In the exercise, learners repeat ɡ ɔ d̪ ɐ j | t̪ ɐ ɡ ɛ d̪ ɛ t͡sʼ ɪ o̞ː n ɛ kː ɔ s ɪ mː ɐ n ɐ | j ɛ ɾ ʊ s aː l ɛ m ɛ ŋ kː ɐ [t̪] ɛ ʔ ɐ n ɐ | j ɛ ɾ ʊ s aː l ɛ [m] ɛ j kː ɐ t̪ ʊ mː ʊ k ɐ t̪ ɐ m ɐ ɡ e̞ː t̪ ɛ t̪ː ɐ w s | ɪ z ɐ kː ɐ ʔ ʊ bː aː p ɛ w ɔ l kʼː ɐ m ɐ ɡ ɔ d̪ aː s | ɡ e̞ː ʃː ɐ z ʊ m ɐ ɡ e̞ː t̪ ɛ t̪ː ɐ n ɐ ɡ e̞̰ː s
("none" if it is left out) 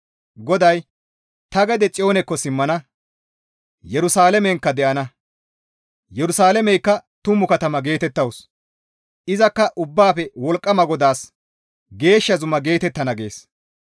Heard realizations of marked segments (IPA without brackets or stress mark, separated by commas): d̪, m